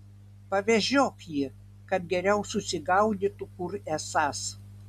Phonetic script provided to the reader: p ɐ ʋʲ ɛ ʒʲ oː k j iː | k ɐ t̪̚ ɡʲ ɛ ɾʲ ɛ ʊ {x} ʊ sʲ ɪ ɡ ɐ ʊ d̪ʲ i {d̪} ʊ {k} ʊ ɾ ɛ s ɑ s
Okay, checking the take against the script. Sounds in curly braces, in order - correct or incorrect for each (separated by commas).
incorrect, incorrect, correct